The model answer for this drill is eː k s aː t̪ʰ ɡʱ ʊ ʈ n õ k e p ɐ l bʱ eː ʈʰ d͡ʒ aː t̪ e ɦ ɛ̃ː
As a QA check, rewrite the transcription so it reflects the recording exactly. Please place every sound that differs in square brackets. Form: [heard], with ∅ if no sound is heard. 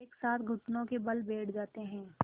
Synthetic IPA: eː k s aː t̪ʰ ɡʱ ʊ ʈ n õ k e [b] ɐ l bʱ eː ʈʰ d͡ʒ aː t̪ e ɦ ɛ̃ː